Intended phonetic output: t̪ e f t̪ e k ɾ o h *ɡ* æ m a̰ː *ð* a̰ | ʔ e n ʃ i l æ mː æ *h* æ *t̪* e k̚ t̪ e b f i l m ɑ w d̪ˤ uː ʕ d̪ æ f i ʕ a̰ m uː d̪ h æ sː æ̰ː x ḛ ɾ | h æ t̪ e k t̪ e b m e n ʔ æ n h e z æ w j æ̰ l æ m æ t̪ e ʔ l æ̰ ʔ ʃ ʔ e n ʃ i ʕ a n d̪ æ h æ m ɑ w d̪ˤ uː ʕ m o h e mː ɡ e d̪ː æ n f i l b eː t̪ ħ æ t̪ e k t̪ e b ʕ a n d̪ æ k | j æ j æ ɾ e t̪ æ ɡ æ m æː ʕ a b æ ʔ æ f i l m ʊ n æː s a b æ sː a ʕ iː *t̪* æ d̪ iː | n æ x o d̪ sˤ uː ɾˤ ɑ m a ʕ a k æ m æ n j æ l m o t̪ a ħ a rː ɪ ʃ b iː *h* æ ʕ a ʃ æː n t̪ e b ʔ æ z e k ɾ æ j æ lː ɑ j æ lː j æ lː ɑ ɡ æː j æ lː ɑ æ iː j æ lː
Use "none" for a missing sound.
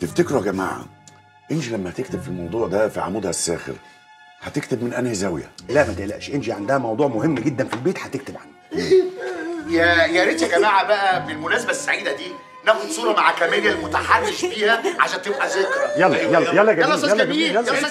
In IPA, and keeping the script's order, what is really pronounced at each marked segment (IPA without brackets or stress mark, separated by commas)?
ɡ, ʕ, h, t̪, d̪, h